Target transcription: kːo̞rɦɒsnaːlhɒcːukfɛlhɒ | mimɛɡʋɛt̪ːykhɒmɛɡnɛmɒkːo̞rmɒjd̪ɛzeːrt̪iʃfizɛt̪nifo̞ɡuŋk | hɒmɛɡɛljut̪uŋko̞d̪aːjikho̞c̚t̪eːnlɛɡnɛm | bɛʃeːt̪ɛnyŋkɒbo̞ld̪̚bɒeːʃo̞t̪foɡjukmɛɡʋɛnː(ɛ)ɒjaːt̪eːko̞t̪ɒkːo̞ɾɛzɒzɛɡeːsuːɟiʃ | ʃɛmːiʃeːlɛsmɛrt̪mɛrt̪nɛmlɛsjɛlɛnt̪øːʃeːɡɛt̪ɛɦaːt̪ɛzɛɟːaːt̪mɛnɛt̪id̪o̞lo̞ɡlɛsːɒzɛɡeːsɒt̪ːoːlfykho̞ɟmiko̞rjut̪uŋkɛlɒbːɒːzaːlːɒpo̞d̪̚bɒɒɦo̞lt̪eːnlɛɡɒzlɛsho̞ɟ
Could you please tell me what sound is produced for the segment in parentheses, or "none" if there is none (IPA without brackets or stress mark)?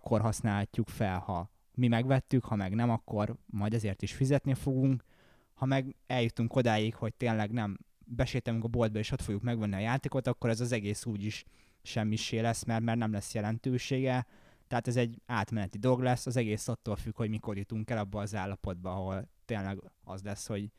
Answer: i